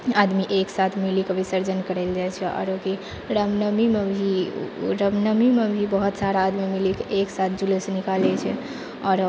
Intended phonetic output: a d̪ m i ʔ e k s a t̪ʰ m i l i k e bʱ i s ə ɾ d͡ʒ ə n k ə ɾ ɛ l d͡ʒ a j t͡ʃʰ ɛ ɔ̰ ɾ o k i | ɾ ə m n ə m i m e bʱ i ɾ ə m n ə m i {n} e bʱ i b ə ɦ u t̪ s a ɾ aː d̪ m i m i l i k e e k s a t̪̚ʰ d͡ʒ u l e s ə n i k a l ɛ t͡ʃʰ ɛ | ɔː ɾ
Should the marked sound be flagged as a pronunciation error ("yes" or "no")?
yes